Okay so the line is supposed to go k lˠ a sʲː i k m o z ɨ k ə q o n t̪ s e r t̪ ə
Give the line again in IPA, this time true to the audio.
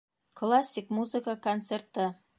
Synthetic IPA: k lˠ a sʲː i k m u z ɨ k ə k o n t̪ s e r t̪ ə